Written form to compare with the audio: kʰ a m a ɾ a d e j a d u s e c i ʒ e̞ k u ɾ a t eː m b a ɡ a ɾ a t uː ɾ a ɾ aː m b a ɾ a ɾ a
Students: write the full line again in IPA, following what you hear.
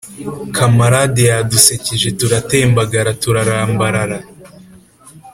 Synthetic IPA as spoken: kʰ a m a ɾ a d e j a d u s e c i ʒ e̞ t u ɾ a t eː m b a ɡ a ɾ a t u ɾ a ɾ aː m b a ɾ a ɾ a